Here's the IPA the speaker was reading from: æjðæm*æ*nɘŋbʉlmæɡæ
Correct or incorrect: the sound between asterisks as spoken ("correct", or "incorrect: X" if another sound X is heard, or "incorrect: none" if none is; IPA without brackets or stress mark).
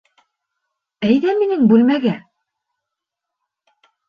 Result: incorrect: i